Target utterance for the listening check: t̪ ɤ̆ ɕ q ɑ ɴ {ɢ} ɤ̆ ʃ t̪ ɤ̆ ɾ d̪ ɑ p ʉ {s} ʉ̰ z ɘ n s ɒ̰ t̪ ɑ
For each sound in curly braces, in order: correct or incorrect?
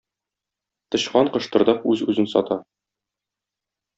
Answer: incorrect, incorrect

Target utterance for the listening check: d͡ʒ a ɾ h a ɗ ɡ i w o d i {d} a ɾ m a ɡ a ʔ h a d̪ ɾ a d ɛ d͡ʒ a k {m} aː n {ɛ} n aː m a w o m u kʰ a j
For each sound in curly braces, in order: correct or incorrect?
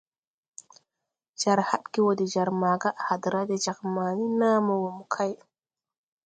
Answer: incorrect, correct, incorrect

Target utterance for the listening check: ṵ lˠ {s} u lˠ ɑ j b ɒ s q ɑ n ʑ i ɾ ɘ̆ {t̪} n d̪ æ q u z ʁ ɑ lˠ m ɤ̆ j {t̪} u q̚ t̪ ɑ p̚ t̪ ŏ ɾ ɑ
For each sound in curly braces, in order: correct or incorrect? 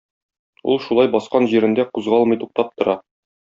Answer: incorrect, incorrect, correct

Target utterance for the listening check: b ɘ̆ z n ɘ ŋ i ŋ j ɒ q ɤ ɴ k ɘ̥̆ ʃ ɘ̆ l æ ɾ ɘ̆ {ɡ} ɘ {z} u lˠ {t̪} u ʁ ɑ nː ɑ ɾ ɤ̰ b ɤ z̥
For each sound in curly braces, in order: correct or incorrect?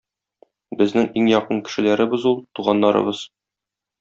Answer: incorrect, correct, correct

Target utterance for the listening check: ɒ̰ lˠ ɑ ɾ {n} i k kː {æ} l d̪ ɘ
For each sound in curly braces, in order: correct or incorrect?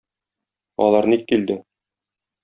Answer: correct, incorrect

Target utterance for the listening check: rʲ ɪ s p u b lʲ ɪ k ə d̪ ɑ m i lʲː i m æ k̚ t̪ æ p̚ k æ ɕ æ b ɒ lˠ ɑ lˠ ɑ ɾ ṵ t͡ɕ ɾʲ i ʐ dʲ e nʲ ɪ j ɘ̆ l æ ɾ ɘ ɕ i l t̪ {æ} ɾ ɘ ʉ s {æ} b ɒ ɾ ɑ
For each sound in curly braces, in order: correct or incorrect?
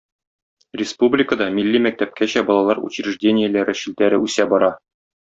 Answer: correct, correct

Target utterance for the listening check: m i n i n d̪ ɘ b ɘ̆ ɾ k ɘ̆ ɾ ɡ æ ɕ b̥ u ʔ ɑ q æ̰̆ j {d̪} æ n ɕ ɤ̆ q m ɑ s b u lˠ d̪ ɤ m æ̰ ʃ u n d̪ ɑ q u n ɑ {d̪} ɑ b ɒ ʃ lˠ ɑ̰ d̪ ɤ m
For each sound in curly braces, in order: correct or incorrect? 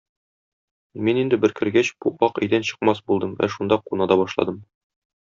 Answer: correct, correct

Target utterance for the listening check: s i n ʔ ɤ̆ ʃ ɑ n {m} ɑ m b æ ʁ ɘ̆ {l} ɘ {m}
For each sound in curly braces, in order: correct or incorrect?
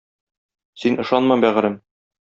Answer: correct, incorrect, correct

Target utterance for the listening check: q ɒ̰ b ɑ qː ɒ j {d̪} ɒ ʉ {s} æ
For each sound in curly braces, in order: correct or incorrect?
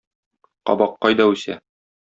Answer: correct, correct

